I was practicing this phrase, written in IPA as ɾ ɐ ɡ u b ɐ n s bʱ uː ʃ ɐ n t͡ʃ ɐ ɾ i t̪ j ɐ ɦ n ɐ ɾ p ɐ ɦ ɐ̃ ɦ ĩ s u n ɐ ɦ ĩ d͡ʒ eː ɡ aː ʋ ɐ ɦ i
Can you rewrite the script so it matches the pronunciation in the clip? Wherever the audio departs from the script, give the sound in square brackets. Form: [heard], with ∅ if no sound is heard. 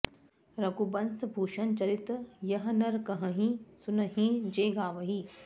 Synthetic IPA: ɾ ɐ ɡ u b ɐ n s bʱ uː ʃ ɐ n t͡ʃ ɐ ɾ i t̪ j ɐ ɦ n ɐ ɾ [k] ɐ ɦ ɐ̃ ɦ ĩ s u n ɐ ɦ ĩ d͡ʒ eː ɡ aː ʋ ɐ ɦ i